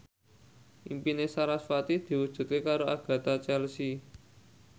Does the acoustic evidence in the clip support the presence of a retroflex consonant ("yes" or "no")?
no